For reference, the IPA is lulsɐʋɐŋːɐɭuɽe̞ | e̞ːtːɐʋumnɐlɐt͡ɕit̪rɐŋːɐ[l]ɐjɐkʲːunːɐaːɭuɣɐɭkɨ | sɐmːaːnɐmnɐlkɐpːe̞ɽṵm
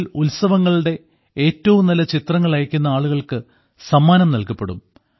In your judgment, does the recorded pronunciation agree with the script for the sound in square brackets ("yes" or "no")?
no